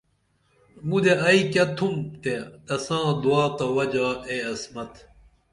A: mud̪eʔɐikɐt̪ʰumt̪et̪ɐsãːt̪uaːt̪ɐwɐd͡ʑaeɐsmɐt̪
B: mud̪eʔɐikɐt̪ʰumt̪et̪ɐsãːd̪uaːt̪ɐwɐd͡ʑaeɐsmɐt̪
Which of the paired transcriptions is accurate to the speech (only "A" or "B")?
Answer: B